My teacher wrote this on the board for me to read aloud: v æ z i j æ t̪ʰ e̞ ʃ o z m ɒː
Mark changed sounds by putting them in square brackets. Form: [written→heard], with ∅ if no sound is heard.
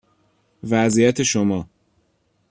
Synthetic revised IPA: v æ z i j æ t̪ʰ e̞ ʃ o [z→∅] m ɒː

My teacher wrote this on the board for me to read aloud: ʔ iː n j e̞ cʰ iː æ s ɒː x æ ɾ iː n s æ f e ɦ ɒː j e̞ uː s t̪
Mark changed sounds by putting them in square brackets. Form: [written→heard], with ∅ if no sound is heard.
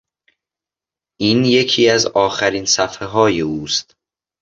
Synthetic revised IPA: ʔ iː n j e̞ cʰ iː æ [s→z] ɒː x æ ɾ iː n s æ f e ɦ ɒː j e̞ uː s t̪

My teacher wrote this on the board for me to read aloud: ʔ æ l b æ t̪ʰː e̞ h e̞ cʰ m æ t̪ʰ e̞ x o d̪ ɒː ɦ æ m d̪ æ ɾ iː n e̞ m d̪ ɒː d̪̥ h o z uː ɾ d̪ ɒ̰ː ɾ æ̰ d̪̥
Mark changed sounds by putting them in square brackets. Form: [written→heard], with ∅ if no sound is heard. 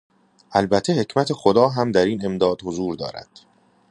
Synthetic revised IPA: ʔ æ l b æ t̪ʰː e̞ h e̞ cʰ m æ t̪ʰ e̞ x o d̪ ɒː ɦ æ m d̪ æ ɾ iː n e̞ m d̪ ɒː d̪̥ h o z uː ɾ d̪ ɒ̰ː ɾ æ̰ d̪̥

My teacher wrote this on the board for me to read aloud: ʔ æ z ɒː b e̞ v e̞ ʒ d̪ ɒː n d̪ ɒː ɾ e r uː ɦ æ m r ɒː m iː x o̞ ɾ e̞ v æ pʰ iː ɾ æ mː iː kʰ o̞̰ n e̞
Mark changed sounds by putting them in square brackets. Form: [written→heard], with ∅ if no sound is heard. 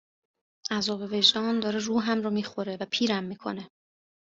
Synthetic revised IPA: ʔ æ z ɒː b e̞ v e̞ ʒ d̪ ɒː n d̪ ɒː ɾ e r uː ɦ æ m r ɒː m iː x o̞ ɾ e̞ v æ pʰ iː ɾ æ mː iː kʰ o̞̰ n e̞

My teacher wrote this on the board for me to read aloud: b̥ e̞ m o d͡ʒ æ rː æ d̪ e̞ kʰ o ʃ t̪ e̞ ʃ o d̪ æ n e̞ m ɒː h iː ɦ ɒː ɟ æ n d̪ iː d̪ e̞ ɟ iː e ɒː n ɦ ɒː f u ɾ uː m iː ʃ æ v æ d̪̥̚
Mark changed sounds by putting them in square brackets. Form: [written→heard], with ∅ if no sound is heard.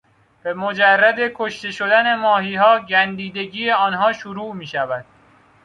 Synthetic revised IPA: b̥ e̞ m o d͡ʒ æ rː æ d̪ e̞ kʰ o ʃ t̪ e̞ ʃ o d̪ æ n e̞ m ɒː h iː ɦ ɒː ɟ æ n d̪ iː d̪ e̞ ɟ iː e ɒː n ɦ ɒː [f→ʃ] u ɾ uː m iː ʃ æ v æ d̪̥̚

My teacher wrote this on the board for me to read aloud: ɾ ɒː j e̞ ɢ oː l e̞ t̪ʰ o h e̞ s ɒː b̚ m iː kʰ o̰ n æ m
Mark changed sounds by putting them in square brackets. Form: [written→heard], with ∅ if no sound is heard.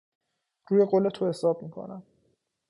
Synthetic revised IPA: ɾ [ɒː→uː] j e̞ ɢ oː l e̞ t̪ʰ o h e̞ s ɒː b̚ m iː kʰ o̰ n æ m

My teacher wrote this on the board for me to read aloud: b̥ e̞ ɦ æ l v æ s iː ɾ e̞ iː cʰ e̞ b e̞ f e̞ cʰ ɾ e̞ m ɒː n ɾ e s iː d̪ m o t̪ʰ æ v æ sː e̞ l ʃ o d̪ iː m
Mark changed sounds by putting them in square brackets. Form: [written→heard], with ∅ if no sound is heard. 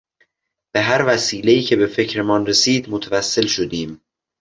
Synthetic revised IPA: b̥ e̞ ɦ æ [l→ɾ] v æ s iː [ɾ→l] e̞ iː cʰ e̞ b e̞ f e̞ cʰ ɾ e̞ m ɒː n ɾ e s iː d̪ m o t̪ʰ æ v æ sː e̞ l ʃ o d̪ iː m

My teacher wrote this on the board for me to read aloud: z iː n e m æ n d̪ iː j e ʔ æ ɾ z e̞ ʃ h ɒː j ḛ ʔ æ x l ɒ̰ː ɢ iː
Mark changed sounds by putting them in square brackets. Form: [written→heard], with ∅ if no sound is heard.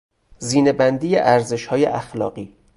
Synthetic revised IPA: z iː n e [m→b] æ n d̪ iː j e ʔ æ ɾ z e̞ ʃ h ɒː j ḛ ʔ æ x l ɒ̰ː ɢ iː

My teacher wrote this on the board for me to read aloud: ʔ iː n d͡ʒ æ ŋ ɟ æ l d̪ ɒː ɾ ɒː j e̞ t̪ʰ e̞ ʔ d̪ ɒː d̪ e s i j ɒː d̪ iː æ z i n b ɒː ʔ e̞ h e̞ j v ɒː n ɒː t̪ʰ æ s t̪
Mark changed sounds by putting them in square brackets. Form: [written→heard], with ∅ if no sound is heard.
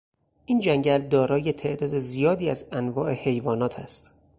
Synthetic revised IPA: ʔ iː n d͡ʒ æ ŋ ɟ æ l d̪ ɒː ɾ ɒː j e̞ t̪ʰ e̞ ʔ d̪ ɒː d̪ e [s→z] i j ɒː d̪ iː æ z [i→æ] n [b→v] ɒː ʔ e̞ h e̞ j v ɒː n ɒː t̪ʰ æ s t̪

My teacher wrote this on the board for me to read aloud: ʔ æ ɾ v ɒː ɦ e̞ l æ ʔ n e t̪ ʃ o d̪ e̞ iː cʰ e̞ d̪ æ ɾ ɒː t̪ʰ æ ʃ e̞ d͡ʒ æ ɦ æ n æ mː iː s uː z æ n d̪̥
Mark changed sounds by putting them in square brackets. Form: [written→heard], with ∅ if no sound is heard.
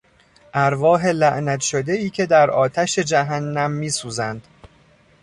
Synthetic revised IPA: ʔ æ ɾ v ɒː ɦ e̞ l æ ʔ n [e→æ] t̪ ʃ o d̪ e̞ iː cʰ e̞ d̪ æ ɾ ɒː t̪ʰ æ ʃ e̞ d͡ʒ æ ɦ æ [n→nː] æ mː iː s uː z æ n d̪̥

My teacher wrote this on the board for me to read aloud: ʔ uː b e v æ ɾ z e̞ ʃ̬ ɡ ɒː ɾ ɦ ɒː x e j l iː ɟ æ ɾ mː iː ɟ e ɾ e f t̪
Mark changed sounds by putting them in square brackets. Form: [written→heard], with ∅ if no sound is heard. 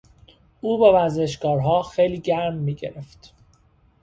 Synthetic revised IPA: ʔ uː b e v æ ɾ z e̞ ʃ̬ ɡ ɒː ɾ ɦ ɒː x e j l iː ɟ æ ɾ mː iː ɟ e ɾ e f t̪

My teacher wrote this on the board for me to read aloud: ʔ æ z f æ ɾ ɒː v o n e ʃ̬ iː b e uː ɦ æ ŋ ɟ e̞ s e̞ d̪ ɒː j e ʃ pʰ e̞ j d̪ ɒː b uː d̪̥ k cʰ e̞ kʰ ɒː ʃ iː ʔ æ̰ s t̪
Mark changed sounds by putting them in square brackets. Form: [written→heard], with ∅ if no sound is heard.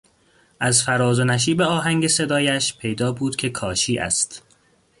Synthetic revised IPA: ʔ æ z f æ ɾ ɒː [v→z] o n [e→æ] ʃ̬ iː b e [uː→ɒː] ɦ æ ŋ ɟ e̞ s e̞ d̪ ɒː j [e→æ] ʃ pʰ e̞ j d̪ ɒː b uː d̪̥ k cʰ e̞ kʰ ɒː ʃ iː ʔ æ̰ s t̪

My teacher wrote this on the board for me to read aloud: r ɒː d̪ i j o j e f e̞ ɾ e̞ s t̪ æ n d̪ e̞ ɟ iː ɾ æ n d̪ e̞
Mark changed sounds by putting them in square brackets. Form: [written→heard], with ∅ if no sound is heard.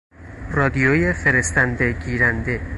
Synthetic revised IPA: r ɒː d̪ i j o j e f e̞ ɾ e̞ s t̪ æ n d̪ e̞ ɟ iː ɾ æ n d̪ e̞

